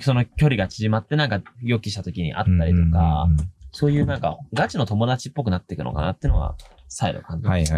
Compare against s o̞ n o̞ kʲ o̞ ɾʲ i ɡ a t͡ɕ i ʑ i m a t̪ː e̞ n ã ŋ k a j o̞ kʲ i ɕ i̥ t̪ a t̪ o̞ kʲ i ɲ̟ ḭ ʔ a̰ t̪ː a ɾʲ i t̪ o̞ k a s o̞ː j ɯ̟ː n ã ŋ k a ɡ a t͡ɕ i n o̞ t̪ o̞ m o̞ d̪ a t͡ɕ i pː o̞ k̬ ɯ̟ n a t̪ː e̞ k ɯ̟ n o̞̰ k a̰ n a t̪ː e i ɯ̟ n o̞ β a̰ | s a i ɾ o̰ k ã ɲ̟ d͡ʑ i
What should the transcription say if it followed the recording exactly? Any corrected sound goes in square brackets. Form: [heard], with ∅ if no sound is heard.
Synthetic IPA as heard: s o̞ n o̞ kʲ o̞ ɾʲ i ɡ a t͡ɕ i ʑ i m a t̪ː e̞ n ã ŋ k a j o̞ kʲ i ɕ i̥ t̪ a t̪ o̞ kʲ i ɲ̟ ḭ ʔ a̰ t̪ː a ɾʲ i t̪ o̞ k a s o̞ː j ɯ̟ː n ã ŋ k a ɡ a t͡ɕ i n o̞ t̪ o̞ m o̞ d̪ a t͡ɕ i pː o̞ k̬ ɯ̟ n a t̪ː e̞ k ɯ̟ n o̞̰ k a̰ n a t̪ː e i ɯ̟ n o̞ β a̰ | s a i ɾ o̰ k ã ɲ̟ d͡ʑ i